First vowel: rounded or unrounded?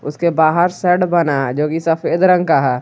rounded